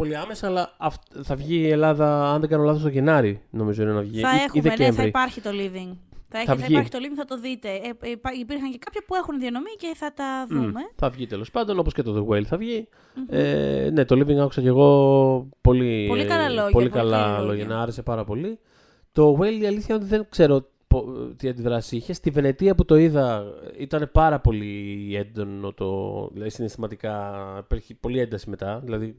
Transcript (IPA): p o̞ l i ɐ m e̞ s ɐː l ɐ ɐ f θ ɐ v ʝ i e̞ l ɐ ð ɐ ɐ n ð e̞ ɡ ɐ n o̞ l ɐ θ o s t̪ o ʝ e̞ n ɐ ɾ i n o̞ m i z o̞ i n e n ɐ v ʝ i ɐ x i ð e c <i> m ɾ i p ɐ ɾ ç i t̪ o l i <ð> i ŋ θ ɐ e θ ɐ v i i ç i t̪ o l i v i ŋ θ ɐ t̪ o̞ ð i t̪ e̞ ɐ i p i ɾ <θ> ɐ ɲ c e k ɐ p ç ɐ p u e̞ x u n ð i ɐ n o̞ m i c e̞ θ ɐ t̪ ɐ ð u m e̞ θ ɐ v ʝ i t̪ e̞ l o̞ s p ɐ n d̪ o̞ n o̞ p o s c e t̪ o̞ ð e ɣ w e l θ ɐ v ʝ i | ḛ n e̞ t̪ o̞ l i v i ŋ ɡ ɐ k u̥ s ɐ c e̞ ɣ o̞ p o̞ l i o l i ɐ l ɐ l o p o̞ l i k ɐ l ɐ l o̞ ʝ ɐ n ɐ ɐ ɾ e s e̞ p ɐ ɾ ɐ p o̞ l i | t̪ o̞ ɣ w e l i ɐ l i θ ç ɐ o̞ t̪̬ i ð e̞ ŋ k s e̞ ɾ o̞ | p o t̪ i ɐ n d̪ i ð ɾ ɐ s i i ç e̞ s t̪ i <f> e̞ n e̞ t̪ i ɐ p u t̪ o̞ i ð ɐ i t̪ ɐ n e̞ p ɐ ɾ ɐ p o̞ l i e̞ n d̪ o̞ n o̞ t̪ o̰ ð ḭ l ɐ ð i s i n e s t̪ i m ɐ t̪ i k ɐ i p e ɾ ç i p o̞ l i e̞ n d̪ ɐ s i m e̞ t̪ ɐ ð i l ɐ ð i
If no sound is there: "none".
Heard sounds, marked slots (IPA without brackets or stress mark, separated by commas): e, v, x, v